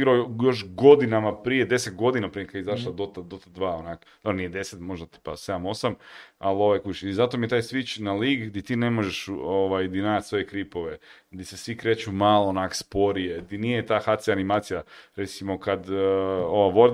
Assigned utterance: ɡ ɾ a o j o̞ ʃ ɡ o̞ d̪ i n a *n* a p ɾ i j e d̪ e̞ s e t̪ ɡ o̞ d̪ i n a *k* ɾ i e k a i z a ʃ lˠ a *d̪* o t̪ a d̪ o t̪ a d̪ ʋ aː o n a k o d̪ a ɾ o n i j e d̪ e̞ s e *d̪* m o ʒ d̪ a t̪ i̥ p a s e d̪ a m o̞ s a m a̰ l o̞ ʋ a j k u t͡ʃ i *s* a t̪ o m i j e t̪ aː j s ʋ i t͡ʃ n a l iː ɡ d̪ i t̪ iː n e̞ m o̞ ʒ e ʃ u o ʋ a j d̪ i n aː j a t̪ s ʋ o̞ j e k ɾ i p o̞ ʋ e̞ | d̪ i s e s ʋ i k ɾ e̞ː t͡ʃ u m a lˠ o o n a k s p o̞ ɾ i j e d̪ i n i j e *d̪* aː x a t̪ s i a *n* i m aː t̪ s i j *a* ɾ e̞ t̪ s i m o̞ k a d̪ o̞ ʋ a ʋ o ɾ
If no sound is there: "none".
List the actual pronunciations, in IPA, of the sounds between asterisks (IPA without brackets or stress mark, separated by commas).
m, p, d̪, t̪, z, t̪, n, a